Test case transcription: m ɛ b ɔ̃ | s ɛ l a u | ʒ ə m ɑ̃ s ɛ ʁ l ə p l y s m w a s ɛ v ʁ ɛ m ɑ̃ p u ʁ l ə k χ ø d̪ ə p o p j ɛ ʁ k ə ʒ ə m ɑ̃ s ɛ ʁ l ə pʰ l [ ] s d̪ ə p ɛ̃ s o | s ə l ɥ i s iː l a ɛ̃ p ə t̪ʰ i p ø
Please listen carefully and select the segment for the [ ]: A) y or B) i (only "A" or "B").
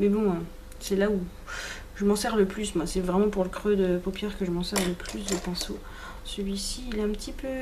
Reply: A